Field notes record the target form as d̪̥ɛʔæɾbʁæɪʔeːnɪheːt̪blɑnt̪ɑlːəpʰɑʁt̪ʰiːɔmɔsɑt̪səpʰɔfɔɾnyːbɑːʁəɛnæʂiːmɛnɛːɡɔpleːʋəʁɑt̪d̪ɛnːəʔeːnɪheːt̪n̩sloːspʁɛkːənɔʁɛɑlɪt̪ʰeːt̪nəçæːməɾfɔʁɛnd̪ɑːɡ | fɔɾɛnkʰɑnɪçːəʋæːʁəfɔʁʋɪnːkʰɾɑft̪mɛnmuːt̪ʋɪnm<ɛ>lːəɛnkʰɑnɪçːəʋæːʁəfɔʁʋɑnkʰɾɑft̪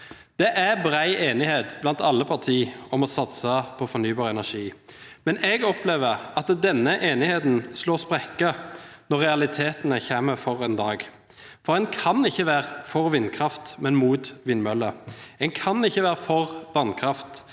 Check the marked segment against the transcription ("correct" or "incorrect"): incorrect